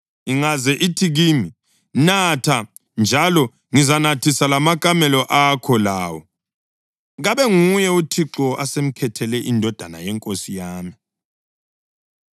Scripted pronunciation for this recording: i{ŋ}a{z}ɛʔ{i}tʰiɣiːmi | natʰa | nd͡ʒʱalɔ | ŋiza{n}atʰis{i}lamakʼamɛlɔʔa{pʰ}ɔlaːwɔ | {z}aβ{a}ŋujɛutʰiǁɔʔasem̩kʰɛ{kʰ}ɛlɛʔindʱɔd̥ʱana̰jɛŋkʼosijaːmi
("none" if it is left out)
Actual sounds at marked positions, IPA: ŋ, z, i, n, a, kʰ, ɣ, ɛ, tʰ

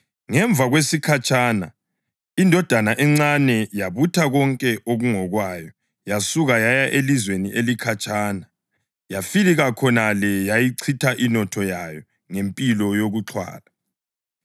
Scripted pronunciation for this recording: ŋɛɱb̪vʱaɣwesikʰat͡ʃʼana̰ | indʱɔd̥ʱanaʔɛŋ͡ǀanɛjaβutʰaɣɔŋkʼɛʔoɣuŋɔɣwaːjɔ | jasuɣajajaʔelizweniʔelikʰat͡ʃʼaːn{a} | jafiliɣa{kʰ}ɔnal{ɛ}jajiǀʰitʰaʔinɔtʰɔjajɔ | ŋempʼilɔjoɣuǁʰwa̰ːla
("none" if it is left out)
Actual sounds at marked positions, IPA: a, kʰ, ɛ

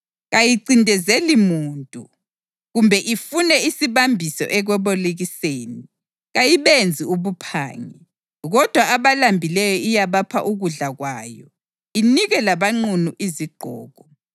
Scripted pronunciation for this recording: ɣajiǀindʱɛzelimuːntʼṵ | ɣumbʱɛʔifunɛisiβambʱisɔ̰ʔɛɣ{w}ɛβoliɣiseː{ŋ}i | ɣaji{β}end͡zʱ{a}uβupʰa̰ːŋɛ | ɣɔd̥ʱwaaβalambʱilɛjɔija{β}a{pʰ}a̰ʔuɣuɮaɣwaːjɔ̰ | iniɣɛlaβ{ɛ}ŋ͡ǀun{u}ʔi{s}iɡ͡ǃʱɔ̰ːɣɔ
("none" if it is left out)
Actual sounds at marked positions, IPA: w, n, β, i, β, pʰ, a, u, z

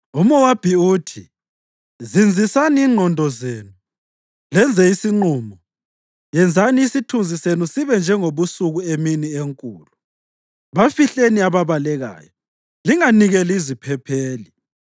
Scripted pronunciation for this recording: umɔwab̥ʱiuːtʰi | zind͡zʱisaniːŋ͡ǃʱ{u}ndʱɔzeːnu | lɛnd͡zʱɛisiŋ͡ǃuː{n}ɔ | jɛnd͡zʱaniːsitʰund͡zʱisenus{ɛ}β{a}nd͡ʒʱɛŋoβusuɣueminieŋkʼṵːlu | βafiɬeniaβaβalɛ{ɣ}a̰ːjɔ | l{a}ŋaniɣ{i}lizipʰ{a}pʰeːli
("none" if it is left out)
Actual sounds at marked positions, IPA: ɔ, m, i, ɛ, ɣ, i, ɛ, ɛ

